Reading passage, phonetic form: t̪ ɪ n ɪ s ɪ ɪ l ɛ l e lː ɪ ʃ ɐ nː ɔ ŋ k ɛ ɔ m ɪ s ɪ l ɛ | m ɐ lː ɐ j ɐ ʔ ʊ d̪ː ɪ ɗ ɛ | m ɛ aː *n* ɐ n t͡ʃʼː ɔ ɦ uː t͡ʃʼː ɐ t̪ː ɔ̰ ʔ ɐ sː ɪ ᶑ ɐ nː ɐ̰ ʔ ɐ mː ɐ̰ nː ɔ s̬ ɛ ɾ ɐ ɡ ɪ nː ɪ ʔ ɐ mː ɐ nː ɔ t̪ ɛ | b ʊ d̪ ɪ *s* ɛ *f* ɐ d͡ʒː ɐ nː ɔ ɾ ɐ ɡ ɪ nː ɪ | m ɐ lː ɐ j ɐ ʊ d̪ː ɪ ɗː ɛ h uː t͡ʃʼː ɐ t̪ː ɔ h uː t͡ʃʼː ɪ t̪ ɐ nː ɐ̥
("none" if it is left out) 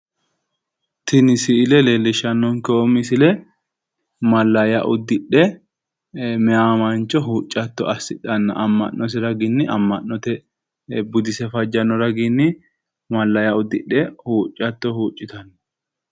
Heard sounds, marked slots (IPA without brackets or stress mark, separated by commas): m, s, f